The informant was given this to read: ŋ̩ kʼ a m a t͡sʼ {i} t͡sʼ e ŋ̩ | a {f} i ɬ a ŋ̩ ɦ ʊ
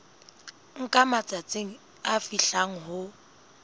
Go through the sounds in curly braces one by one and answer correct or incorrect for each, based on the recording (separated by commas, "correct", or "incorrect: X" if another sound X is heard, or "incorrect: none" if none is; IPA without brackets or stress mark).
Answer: incorrect: a, correct